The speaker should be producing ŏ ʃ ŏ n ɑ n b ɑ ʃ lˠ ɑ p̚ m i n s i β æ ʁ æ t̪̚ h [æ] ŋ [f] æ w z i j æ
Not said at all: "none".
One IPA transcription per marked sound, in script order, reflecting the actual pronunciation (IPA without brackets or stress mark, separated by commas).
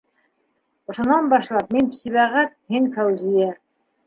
i, f